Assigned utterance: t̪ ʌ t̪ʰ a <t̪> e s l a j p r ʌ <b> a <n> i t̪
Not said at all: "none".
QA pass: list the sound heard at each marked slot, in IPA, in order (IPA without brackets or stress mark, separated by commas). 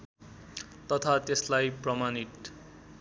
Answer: t̪, m, n